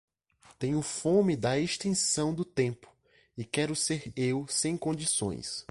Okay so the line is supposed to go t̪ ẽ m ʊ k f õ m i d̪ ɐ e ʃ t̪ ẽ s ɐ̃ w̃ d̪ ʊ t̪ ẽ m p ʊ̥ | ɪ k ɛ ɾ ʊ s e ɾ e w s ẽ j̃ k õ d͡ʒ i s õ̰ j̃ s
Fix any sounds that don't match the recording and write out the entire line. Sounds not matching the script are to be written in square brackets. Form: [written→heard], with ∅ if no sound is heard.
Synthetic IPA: t̪ ẽ [m→ɲ] ʊ [k→∅] f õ m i d̪ ɐ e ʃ t̪ ẽ s ɐ̃ w̃ d̪ ʊ t̪ ẽ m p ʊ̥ | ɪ k ɛ ɾ ʊ s e ɾ e w s ẽ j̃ k õ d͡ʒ i s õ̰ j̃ s